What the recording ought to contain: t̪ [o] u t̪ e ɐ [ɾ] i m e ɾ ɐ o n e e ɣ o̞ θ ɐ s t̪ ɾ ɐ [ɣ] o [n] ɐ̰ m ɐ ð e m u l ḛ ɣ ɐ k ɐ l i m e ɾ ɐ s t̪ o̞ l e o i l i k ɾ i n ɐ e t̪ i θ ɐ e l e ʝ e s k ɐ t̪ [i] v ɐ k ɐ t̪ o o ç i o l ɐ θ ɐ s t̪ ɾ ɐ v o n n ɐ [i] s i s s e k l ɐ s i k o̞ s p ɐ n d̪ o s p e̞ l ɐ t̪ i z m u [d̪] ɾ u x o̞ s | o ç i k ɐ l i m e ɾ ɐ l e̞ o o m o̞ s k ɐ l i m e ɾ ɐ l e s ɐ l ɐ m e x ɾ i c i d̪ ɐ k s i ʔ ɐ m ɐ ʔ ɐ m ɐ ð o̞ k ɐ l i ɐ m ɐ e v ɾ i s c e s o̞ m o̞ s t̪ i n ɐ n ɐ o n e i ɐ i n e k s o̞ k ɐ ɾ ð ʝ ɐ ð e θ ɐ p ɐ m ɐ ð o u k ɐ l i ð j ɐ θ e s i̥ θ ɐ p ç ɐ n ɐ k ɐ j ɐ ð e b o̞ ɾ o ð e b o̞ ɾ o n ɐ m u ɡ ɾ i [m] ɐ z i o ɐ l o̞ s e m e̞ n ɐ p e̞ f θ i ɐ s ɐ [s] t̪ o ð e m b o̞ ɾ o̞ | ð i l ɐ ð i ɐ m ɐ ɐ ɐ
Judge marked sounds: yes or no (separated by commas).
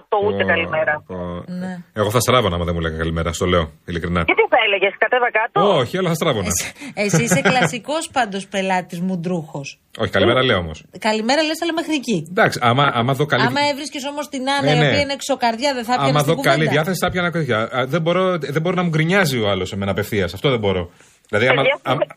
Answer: yes, no, no, yes, no, no, yes, no, no